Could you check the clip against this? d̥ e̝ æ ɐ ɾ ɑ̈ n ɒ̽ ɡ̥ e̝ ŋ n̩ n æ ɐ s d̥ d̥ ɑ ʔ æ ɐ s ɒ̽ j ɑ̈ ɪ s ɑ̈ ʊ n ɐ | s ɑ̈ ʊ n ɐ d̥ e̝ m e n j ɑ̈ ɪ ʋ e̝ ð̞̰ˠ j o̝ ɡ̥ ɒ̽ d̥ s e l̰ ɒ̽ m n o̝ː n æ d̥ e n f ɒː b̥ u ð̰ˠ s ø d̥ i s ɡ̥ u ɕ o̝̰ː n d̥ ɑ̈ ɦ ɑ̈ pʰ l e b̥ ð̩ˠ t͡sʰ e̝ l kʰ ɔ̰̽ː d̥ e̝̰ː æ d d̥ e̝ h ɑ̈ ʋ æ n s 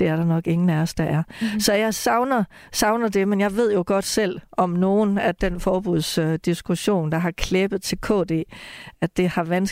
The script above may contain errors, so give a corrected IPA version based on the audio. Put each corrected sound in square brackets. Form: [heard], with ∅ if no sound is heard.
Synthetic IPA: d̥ e̝ æ ɐ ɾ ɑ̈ n ɒ̽ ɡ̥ e̝ ŋ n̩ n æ ɐ s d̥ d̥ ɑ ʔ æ ɐ s ɒ̽ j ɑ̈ ɪ s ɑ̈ ʊ n ɐ | s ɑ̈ ʊ n ɐ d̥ e̝ m e n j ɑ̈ ɪ ʋ e̝ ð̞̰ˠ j o̝ ɡ̥ ɒ̽ d̥ s e l̰ ɒ̽ m n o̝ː n æ d̥ e n f ɒː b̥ u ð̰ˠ s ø d̥ i s ɡ̥ u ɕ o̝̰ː n d̥ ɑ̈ ɦ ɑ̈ [kʰ] l e b̥ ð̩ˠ t͡sʰ e̝ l kʰ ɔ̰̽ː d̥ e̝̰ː æ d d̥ e̝ h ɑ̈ ʋ æ n s